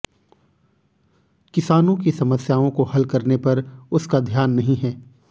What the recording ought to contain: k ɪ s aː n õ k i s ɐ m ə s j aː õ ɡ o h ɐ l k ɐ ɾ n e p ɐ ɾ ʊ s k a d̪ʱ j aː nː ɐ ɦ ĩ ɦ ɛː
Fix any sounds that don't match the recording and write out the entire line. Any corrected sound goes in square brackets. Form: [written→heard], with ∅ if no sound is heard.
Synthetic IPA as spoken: k ɪ s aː n õ k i s ɐ m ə s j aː õ [ɡ→k] o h ɐ l k ɐ ɾ n e p ɐ ɾ ʊ s k a d̪ʱ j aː nː ɐ ɦ ĩ ɦ ɛː